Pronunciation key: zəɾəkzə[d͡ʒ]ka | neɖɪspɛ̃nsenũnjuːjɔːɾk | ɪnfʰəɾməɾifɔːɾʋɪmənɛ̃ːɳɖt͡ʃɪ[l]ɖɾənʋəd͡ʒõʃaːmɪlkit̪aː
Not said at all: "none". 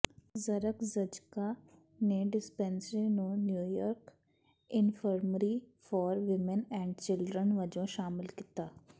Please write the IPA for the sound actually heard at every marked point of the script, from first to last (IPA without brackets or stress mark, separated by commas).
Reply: d͡ʒ, l